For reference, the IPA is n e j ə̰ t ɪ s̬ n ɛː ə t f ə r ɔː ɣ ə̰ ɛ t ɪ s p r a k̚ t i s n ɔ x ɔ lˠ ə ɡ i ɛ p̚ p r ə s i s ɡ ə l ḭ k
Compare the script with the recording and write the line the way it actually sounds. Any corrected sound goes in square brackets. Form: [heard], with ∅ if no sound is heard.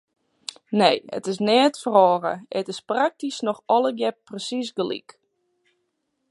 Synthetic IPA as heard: n e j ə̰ t ɪ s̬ n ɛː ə t f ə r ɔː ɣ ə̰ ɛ t ɪ s p r a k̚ t i s n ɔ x ɔ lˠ ə ɡ [j] ɛ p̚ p r ə s i s ɡ ə l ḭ k